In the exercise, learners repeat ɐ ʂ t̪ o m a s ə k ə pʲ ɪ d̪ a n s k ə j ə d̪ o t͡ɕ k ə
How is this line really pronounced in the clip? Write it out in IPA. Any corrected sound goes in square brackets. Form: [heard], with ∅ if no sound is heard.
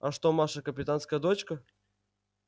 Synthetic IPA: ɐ ʂ t̪ o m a [ʂ] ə k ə pʲ ɪ [t̪] a n s k ə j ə d̪ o t͡ɕ k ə

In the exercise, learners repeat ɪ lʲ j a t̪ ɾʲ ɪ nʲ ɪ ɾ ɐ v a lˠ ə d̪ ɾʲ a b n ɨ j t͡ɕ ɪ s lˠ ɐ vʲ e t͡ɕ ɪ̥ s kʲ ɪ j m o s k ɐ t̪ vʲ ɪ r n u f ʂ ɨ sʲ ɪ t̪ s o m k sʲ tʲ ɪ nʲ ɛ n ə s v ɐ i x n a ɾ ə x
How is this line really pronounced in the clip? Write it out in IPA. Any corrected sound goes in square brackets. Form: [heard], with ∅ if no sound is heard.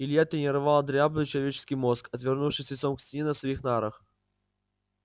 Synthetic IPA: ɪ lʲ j a t̪ ɾʲ ɪ nʲ ɪ ɾ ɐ v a lˠ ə d̪ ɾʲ a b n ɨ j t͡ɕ ɪ [∅] lˠ ɐ vʲ e t͡ɕ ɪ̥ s kʲ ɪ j m o s k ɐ t̪ vʲ ɪ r n u f ʂ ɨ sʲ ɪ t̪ s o m k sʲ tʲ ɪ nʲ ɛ n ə s v ɐ i x n a ɾ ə x

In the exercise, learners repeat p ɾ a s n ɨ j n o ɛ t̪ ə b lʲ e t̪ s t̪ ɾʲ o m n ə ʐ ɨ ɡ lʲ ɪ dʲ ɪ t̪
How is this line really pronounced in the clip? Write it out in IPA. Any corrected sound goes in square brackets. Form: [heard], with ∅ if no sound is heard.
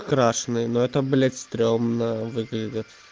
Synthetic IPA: [k] ɾ a [ʂ] n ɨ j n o ɛ t̪ ə b lʲ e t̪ s t̪ ɾʲ o m n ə [v] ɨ ɡ lʲ ɪ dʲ ɪ t̪

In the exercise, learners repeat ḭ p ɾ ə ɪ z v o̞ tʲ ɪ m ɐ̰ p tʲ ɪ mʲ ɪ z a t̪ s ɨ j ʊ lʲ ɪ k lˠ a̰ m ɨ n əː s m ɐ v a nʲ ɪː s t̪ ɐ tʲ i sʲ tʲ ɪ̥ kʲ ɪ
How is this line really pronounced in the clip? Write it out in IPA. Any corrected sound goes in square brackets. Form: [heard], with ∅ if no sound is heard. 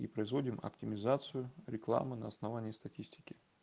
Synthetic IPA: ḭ p ɾ ə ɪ z v o̞ [dʲ] ɪ m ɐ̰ p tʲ ɪ mʲ ɪ z a t̪ s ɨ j ʊ [ɾʲ] ɪ k lˠ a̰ m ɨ n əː s [n] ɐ v a nʲ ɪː s t̪ ɐ tʲ i sʲ tʲ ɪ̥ kʲ ɪ

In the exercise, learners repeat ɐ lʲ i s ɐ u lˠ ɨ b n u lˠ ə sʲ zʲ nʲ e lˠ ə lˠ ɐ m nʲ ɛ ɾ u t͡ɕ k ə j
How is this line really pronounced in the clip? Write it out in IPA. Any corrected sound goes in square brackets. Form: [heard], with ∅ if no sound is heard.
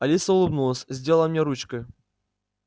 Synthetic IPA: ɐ lʲ i s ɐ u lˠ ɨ b n u lˠ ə sʲ zʲ [dʲ] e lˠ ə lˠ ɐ m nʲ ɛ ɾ u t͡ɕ k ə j

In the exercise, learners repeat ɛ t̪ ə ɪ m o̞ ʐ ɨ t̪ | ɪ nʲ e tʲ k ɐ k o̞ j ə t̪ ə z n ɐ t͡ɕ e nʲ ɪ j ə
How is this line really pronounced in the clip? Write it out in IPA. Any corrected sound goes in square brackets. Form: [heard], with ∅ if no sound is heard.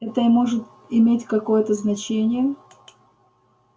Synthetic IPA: ɛ t̪ ə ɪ m o̞ ʐ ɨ t̪ | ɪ [mʲ] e tʲ k ɐ k o̞ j ə t̪ ə z n ɐ t͡ɕ e nʲ ɪ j ə

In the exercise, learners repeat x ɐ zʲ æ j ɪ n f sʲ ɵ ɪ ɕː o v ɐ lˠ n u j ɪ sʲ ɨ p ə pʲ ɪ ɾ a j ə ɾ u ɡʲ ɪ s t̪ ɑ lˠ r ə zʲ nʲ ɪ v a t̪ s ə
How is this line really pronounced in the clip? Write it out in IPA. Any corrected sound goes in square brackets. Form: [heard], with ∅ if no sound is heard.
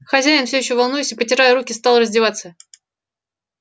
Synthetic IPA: x ɐ zʲ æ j ɪ n f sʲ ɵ ɪ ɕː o v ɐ lˠ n u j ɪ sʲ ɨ p ə [tʲ] ɪ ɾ a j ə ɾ u [kʲ] ɪ s t̪ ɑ lˠ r ə zʲ [dʲ] ɪ v a t̪ s ə

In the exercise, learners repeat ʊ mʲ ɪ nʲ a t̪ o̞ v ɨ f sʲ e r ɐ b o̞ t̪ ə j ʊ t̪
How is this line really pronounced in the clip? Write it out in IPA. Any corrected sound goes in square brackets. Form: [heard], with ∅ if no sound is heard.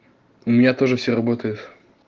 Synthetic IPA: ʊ mʲ ɪ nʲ a t̪ o̞ [ʐ] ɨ f sʲ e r ɐ b o̞ t̪ ə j ʊ t̪

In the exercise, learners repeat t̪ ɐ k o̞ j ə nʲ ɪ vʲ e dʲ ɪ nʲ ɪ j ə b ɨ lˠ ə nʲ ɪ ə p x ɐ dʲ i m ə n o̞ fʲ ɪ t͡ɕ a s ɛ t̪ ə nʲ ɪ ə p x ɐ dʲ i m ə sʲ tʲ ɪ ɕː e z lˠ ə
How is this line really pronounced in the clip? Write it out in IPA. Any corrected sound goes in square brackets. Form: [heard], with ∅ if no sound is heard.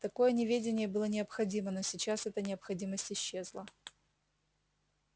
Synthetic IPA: t̪ ɐ k o̞ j ə nʲ ɪ vʲ e dʲ ɪ nʲ ɪ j ə b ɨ lˠ ə nʲ ɪ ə p x ɐ dʲ i m ə n o̞ [sʲ] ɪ t͡ɕ a s ɛ t̪ ə nʲ ɪ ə p x ɐ dʲ i m ə sʲ tʲ ɪ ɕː e z lˠ ə

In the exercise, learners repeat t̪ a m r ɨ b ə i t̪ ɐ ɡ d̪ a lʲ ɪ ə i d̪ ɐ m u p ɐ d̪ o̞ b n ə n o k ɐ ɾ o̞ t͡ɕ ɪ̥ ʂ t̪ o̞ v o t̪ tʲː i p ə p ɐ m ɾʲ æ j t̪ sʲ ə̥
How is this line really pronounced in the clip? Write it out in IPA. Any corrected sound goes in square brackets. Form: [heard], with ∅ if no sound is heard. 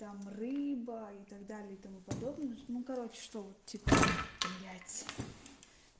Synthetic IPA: t̪ a m r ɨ b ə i t̪ ɐ ɡ d̪ a lʲ ɪ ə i [t̪] ɐ m u p ɐ d̪ o̞ b n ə n [u] k ɐ ɾ o̞ t͡ɕ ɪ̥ ʂ t̪ o̞ v o t̪ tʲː i p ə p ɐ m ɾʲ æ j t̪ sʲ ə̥

